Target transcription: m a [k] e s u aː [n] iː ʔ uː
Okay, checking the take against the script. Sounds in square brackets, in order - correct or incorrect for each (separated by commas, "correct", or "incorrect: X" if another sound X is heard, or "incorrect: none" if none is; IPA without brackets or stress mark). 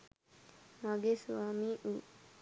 incorrect: ɡ, incorrect: m